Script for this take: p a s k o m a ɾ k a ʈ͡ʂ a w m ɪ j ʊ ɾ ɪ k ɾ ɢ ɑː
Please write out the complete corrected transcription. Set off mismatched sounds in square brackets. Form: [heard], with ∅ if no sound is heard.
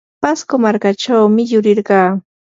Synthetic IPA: p a s k o m a ɾ k a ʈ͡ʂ a w m ɪ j ʊ ɾ ɪ [∅] ɾ ɢ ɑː